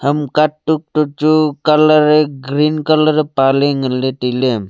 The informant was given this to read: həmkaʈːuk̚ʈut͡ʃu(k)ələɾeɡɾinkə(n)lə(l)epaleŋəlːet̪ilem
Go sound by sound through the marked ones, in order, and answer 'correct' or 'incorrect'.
correct, incorrect, incorrect

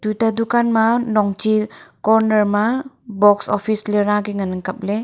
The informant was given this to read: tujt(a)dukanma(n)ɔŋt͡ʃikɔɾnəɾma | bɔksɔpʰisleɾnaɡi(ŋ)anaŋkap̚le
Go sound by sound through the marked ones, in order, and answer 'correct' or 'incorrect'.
correct, correct, correct

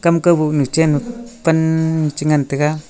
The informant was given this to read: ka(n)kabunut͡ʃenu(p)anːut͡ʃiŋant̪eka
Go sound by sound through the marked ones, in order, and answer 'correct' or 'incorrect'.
incorrect, correct

